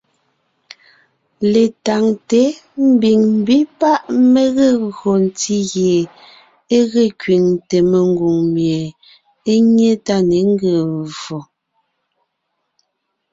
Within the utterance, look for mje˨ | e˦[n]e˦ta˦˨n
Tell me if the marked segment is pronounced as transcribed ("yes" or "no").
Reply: no